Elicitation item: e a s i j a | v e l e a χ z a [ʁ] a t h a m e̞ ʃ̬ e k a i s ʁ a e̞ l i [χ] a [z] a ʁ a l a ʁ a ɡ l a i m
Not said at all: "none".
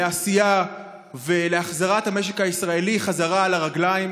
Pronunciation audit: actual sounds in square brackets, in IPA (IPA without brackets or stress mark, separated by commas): ʁ, χ, z